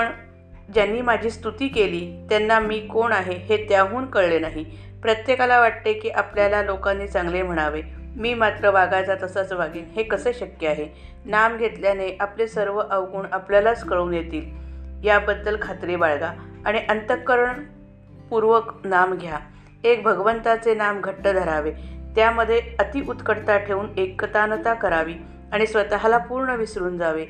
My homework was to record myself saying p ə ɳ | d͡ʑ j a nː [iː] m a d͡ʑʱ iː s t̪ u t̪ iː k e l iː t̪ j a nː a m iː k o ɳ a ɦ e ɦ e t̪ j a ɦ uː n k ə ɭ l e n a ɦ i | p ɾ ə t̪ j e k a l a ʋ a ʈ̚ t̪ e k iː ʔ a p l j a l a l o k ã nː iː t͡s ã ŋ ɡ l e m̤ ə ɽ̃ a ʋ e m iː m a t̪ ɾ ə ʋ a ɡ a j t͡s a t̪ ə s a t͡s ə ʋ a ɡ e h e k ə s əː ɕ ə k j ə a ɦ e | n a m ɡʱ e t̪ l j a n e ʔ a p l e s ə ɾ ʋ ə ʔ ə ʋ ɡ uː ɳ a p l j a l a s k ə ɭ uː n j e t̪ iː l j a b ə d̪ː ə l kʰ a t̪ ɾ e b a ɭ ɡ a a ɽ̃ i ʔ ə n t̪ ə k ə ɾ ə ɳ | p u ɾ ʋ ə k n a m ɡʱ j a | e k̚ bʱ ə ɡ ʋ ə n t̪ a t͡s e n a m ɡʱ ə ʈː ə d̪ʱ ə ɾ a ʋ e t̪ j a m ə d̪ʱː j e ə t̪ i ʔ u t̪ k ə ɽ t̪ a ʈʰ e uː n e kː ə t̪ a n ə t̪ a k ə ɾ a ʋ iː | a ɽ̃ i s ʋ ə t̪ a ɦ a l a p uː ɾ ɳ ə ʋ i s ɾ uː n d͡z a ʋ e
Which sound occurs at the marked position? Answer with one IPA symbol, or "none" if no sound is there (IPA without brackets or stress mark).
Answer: iː